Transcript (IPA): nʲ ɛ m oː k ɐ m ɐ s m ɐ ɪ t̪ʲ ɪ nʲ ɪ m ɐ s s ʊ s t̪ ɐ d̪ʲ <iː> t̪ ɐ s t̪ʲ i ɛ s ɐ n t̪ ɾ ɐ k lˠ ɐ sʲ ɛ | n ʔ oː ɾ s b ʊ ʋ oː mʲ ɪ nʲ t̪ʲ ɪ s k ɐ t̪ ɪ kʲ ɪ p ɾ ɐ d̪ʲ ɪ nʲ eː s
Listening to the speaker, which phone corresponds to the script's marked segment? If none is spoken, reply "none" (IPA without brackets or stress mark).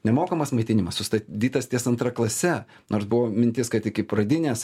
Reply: iː